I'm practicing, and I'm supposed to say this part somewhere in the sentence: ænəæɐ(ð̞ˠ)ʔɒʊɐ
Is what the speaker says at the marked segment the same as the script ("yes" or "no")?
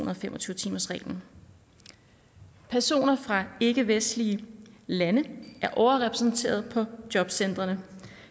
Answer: no